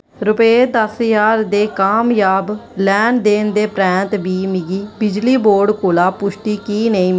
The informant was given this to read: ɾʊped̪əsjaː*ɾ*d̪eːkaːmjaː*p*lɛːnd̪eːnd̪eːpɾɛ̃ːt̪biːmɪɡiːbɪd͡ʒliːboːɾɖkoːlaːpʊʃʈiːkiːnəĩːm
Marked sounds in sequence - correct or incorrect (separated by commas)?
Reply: correct, incorrect